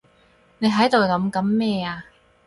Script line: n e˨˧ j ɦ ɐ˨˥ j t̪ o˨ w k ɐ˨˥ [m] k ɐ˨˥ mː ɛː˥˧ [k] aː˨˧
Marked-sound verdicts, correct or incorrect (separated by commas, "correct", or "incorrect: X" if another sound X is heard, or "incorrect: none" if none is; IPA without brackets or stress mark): correct, incorrect: none